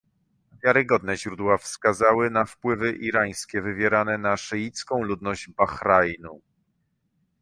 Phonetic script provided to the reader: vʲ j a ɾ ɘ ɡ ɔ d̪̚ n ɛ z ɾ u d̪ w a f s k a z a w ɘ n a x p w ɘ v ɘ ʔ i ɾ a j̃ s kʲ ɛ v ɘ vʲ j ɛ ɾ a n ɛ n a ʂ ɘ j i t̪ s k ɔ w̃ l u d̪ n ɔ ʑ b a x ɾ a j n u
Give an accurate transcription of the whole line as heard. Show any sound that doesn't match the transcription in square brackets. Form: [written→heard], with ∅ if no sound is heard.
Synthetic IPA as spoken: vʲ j a ɾ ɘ ɡ ɔ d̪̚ n ɛ [z→ʑ] ɾ u d̪ w a f s k a z a w ɘ n a [x→f] p w ɘ v ɘ ʔ i ɾ a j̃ s kʲ ɛ v ɘ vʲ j ɛ ɾ a n ɛ n a ʂ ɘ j i t̪ s k [ɔ→ɔ̃] w̃ l u d̪ n ɔ ʑ b a x ɾ a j n u